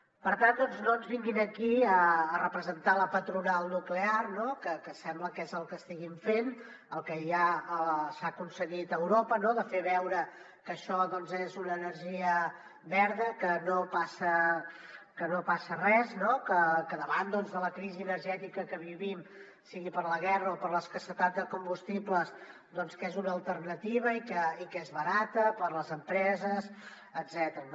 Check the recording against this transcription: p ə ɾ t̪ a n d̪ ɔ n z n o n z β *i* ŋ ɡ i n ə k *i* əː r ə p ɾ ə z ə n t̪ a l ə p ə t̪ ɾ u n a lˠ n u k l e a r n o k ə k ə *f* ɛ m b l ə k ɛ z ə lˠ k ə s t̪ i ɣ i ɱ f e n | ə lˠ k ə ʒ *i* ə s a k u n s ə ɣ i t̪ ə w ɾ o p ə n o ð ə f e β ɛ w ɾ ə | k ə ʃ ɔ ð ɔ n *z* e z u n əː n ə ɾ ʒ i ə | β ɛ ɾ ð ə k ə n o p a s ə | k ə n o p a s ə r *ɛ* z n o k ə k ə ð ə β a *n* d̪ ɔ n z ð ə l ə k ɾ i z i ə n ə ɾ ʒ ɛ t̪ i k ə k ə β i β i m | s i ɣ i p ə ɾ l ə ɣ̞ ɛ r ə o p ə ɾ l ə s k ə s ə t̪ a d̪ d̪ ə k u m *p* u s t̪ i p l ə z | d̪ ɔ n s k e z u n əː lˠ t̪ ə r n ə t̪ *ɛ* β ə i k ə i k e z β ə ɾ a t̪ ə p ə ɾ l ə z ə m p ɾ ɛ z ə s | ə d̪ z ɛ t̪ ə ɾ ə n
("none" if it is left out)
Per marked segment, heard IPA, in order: i, i, s, a, z, ɛ, n, b, i

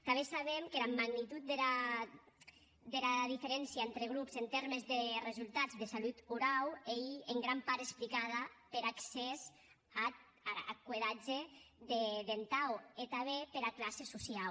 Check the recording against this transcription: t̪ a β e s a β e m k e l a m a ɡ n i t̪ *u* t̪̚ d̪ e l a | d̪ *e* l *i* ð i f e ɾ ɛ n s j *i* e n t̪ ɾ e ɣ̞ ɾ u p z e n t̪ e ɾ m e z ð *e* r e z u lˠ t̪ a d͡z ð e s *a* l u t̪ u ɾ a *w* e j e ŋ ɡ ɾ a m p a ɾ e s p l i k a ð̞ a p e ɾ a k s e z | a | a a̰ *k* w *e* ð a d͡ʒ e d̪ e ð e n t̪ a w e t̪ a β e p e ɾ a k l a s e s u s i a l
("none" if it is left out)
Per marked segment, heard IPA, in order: u, e, a, a, e, a, w, k, e

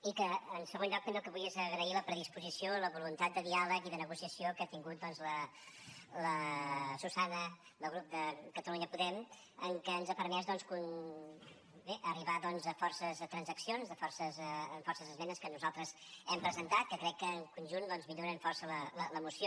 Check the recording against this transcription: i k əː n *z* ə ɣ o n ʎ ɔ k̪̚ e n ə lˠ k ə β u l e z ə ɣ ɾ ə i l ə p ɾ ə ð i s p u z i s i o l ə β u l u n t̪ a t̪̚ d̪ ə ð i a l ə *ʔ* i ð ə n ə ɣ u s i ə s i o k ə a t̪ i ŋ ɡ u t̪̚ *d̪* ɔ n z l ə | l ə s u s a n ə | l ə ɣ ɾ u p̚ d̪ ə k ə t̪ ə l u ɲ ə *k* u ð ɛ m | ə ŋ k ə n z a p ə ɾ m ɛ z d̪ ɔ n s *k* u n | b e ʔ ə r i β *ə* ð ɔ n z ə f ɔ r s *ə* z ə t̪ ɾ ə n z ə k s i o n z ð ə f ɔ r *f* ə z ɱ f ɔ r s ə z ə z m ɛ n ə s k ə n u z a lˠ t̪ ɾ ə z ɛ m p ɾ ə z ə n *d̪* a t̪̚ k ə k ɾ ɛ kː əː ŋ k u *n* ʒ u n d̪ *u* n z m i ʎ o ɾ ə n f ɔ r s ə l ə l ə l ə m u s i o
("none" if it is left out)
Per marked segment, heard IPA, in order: s, k, d̪, p, k, a, ə, s, t̪, n, ɔ

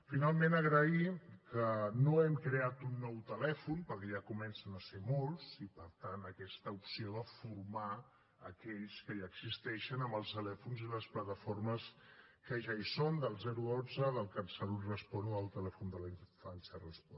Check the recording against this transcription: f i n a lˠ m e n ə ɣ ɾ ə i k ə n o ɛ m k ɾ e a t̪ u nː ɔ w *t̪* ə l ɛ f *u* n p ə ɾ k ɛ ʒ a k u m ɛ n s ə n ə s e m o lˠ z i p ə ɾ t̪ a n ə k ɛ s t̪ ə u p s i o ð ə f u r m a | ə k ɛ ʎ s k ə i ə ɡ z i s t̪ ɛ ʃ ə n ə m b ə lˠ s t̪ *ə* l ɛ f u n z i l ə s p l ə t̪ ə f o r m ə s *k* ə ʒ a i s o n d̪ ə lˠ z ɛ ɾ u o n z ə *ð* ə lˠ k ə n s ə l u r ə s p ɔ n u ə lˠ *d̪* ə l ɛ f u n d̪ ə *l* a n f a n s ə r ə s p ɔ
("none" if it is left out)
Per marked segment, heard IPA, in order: t̪, u, ə, k, ð, t̪, l

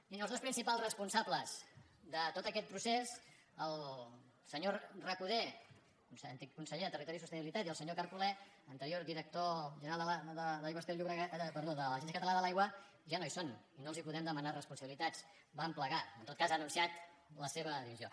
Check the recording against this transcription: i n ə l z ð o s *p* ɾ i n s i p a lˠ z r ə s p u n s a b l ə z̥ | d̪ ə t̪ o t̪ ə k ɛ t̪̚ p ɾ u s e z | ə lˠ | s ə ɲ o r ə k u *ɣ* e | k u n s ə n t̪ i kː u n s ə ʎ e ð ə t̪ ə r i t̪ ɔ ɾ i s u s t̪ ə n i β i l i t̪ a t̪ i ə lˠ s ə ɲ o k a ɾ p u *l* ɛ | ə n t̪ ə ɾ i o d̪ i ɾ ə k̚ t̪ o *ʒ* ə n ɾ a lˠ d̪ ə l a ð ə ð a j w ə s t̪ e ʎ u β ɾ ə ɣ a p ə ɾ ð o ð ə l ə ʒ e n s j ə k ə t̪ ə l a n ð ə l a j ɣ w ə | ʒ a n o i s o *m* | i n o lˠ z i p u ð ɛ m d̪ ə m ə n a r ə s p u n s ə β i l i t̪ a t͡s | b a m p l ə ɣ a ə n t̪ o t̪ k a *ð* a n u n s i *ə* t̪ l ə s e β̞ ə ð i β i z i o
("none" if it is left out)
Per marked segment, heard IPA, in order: p, ð, l, ʒ, n, z, a

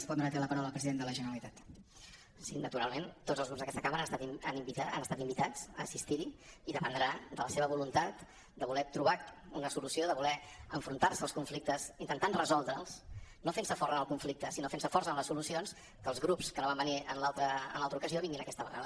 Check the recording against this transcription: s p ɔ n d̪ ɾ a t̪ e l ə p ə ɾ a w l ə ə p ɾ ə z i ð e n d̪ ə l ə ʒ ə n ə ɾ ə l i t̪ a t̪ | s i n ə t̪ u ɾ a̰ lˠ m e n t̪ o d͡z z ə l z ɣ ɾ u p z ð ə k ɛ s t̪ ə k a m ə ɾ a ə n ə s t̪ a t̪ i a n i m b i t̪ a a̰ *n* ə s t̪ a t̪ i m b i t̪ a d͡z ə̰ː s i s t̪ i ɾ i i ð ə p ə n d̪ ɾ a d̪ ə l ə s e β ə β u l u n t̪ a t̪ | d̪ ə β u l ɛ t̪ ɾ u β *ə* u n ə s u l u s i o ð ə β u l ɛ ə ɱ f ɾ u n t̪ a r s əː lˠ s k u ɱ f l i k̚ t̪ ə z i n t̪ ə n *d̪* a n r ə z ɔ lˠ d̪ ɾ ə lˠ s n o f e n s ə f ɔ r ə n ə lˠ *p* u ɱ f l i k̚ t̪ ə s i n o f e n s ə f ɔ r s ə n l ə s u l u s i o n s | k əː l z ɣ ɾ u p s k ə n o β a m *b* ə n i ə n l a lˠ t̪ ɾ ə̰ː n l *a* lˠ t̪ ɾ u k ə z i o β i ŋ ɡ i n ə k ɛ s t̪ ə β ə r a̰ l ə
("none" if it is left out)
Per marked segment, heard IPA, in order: n, a, t̪, k, b, a

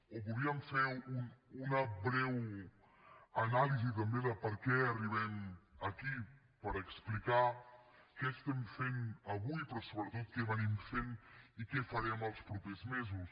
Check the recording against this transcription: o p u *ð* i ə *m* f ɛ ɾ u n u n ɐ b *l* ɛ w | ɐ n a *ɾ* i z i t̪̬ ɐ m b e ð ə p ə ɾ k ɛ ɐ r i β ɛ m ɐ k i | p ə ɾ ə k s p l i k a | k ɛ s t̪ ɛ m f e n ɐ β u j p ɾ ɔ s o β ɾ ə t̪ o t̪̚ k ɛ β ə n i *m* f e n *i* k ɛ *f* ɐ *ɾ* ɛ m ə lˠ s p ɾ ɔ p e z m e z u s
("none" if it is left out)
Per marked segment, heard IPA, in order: ð, m, ɾ, l, m, i, f, ɾ

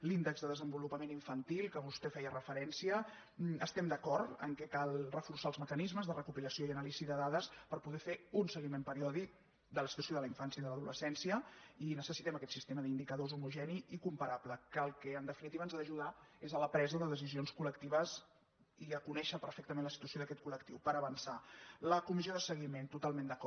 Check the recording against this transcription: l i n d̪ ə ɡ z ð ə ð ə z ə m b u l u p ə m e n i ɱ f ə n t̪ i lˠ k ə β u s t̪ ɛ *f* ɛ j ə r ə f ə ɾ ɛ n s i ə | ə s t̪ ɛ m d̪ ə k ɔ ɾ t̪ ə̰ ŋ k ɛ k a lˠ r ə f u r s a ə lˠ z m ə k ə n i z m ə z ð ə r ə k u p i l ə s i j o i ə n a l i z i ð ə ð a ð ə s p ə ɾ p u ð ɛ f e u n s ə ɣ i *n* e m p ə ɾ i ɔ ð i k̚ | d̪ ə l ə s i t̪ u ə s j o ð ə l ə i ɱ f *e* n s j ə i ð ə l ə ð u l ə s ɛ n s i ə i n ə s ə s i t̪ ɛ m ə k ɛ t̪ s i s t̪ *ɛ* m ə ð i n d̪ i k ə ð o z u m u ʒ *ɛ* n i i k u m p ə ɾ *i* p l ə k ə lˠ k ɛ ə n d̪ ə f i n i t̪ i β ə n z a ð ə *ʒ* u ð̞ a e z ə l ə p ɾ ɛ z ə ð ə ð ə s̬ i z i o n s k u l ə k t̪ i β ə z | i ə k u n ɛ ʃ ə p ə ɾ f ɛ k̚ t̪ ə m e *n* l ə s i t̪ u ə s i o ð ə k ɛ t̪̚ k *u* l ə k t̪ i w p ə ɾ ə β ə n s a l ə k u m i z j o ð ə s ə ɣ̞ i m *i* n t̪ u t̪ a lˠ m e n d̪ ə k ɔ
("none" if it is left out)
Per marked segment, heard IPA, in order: f, m, a, e, ɛ, a, ʒ, n, u, e

